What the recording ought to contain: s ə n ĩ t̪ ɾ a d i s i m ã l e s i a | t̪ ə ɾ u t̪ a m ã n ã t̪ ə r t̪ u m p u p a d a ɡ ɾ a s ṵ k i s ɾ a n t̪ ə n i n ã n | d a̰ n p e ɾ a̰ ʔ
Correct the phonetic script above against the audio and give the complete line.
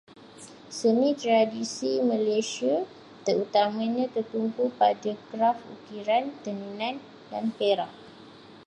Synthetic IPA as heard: s ə n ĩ t̪ ɾ a d i s i m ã l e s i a | t̪ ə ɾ u t̪ a m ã ɲ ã t̪ ə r t̪ u m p u p a d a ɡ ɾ a f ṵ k i ɾ a n t̪ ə n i n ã n | d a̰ n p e ɾ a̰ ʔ